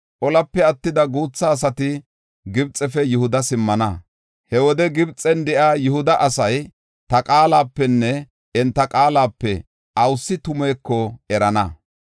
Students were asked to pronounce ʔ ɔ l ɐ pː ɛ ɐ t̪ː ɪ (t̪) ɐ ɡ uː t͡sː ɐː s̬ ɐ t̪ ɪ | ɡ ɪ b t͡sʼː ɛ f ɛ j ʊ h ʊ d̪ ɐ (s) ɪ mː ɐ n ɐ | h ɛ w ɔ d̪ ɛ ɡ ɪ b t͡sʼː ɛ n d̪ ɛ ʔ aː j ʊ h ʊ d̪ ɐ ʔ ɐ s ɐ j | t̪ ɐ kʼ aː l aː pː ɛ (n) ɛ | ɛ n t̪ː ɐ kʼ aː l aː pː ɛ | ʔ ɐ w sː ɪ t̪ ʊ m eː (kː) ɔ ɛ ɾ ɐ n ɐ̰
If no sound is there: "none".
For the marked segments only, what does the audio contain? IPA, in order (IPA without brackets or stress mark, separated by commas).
d̪, s, nː, kː